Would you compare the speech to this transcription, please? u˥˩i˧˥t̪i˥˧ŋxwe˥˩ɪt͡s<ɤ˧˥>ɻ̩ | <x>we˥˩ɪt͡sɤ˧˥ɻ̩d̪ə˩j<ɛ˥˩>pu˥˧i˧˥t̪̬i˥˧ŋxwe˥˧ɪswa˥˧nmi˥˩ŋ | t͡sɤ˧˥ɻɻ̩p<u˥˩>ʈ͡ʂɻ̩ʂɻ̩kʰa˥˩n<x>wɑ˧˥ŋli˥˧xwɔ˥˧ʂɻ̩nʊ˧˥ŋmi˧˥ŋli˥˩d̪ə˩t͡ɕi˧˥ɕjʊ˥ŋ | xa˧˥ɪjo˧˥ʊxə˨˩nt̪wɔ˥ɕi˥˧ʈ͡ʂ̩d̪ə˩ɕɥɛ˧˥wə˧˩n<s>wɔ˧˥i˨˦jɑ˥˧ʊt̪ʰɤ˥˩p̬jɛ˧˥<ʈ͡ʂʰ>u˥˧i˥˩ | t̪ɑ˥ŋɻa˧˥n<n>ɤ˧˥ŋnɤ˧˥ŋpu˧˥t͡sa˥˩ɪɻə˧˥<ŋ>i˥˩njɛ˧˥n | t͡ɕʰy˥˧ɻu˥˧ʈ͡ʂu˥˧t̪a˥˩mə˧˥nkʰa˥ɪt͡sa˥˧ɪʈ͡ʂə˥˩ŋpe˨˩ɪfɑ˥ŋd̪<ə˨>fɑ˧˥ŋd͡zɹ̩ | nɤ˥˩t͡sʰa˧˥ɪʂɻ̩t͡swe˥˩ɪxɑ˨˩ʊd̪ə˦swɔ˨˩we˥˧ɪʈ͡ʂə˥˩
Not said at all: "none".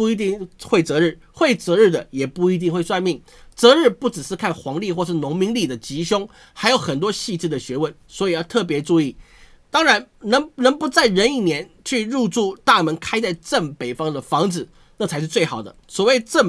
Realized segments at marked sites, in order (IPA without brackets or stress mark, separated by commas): ɤ˧˥, x, ɛ˨˩, u˥˩, x, s, ʈ͡ʂ, n, n, ə˨